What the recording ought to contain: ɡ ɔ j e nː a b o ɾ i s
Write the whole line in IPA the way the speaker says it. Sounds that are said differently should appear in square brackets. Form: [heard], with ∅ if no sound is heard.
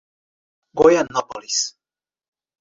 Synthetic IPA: ɡ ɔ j [a] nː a [p] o [l] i s

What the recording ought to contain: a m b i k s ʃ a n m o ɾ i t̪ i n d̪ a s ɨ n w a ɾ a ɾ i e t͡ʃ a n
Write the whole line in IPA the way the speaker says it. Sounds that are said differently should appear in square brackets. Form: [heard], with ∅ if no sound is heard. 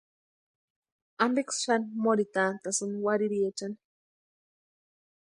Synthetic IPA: a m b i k s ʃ a n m o ɾ i t̪ [a] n [t̪] a s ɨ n w a ɾ [i] ɾ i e t͡ʃ a n

